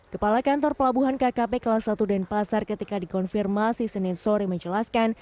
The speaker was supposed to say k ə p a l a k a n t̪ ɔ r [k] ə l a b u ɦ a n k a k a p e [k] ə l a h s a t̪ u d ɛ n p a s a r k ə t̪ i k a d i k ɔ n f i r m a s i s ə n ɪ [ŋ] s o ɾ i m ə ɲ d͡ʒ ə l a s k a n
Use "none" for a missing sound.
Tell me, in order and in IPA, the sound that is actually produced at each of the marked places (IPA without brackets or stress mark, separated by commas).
p, k, n